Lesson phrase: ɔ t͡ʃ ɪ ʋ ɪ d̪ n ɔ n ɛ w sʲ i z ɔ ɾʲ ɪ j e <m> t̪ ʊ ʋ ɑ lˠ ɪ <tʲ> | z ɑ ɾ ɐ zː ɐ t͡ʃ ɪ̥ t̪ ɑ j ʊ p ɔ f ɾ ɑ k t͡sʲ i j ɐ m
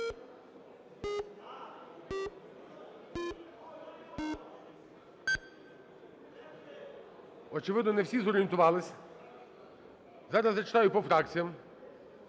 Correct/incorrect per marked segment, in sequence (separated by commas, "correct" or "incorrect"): incorrect, incorrect